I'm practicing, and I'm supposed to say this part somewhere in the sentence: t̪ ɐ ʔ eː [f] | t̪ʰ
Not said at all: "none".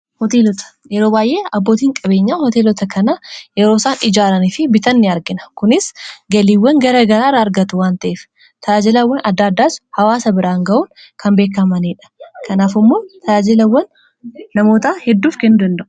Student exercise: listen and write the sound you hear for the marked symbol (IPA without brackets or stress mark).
f